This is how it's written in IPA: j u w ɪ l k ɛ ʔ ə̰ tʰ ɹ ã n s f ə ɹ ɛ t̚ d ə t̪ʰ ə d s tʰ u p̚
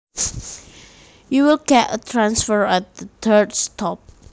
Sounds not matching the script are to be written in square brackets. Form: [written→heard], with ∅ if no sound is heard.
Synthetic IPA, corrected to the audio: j u w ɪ l k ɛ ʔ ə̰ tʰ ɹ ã n s f ə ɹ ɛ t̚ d ə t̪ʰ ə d s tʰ [u→ɔ] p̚